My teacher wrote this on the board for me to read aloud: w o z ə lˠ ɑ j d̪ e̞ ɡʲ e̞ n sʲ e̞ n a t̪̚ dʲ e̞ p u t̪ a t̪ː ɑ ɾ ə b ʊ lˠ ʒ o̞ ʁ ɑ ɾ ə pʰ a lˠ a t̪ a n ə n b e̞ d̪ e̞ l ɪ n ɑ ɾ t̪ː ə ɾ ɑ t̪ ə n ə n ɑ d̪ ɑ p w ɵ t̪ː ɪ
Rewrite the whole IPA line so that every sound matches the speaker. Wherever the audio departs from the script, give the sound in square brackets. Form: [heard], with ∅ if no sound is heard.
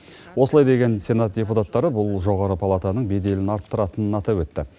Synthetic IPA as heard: w o [s] ə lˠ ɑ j d̪ e̞ ɡʲ e̞ n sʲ e̞ n a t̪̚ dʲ e̞ p u t̪ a t̪ː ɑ ɾ ə b ʊ lˠ ʒ o̞ ʁ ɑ ɾ ə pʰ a lˠ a t̪ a n ə [ɴ] b e̞ d̪ e̞ l ɪ n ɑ ɾ t̪ː ə ɾ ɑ t̪ ə n ə n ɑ [t̪] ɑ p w ɵ t̪ː ɪ